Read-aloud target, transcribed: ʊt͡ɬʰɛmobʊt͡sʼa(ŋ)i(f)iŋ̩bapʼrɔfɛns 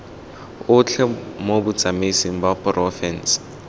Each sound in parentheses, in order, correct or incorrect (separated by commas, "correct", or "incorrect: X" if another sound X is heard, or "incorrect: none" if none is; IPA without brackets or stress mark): incorrect: m, incorrect: s